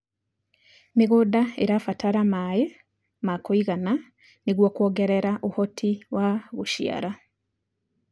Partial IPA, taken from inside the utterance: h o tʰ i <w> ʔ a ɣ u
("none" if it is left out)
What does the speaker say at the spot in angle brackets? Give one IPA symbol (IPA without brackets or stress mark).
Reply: w